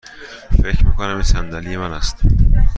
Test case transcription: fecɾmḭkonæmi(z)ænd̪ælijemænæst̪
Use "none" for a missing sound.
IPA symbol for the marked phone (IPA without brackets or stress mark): s